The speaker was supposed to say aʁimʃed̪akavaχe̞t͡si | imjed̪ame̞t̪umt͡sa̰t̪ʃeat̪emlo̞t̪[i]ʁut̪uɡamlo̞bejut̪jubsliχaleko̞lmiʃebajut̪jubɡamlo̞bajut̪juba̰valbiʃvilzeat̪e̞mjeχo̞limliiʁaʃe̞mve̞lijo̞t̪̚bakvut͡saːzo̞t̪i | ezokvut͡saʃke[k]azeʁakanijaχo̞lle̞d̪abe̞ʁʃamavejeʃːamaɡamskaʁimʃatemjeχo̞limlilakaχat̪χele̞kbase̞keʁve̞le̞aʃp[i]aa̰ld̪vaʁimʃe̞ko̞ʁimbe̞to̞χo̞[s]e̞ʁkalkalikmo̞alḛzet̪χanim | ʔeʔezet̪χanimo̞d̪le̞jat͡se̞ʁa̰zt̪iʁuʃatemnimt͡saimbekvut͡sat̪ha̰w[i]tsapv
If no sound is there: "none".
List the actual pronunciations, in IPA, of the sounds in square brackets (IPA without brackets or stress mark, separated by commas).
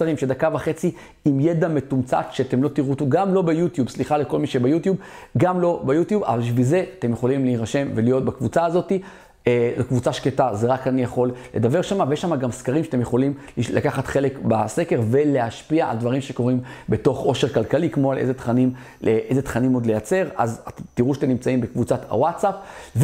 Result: i, t, i, ʃ, a